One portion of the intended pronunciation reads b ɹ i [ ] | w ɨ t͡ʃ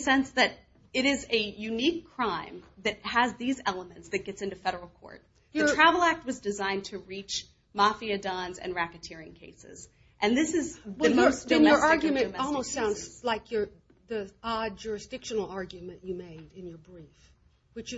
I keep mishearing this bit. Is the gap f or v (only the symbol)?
f